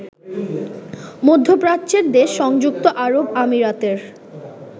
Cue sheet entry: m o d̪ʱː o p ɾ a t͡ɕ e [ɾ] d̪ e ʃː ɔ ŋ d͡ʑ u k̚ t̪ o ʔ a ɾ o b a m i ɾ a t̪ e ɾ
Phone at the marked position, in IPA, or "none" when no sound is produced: ɾ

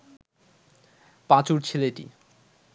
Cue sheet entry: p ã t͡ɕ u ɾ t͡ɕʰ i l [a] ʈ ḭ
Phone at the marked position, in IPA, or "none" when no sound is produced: e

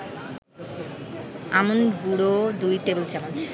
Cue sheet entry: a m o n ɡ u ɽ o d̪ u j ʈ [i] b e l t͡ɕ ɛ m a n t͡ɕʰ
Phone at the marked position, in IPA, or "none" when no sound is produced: e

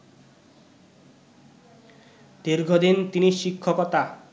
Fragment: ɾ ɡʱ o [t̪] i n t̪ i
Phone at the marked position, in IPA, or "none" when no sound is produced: d̪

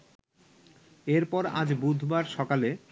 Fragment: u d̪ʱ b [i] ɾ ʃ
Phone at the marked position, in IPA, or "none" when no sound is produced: a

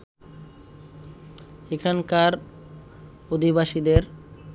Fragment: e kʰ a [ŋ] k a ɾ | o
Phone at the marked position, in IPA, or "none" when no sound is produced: n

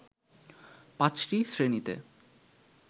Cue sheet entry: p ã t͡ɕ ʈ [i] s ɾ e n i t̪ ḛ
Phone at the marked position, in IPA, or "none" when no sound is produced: i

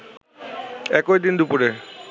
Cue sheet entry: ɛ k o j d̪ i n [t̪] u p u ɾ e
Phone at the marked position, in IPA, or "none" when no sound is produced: d̪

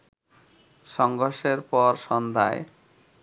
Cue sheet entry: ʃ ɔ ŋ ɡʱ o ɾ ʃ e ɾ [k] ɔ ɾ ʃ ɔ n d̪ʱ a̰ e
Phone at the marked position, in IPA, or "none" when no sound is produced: p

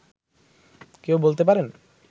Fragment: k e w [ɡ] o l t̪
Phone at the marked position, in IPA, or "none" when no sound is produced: b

